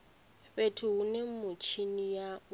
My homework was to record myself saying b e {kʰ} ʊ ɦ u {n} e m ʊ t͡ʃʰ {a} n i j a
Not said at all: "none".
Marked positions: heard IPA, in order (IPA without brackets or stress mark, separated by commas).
tʰ, n, i